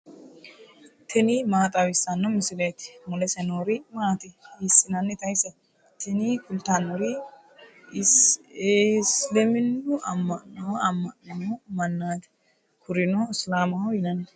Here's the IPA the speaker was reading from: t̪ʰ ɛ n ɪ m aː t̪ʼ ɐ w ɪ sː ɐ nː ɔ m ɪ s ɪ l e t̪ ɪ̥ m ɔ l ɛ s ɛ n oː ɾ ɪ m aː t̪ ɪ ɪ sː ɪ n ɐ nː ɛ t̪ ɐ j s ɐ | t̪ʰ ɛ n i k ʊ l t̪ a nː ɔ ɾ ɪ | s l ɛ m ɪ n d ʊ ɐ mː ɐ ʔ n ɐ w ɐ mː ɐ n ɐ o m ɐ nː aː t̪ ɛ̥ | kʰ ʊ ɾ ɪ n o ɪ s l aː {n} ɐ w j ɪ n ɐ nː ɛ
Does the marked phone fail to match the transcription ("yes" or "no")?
yes